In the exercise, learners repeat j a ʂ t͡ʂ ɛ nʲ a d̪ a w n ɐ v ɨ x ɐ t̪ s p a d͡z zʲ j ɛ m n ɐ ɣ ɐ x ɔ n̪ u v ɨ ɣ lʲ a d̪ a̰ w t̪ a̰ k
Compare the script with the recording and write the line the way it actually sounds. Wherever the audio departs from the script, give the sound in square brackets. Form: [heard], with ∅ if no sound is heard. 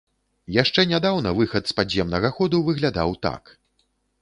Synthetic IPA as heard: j a ʂ t͡ʂ ɛ nʲ a d̪ a w n ɐ v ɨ x ɐ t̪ s p a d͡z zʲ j ɛ m n ɐ ɣ ɐ x ɔ [d̪] u v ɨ ɣ lʲ a d̪ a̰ w t̪ a̰ k